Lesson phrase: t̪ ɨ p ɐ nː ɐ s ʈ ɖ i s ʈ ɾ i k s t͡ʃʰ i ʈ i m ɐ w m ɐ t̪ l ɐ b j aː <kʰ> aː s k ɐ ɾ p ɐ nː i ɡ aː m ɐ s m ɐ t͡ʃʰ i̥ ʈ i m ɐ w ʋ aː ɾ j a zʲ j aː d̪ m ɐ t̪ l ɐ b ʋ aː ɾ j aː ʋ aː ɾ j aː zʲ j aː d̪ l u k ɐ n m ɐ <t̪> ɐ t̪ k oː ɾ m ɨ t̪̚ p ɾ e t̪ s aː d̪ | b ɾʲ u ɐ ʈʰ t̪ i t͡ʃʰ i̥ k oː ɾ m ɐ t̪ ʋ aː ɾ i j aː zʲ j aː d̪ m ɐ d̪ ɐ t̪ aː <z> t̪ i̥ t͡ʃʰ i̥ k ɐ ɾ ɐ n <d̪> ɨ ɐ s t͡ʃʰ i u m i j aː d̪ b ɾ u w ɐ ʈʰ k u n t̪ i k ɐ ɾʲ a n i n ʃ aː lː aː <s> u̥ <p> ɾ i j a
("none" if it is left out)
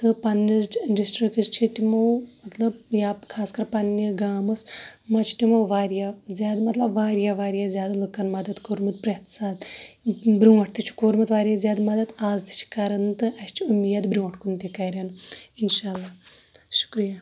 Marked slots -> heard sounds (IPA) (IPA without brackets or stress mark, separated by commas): kʰ, d̪, z, t̪, ʃ, k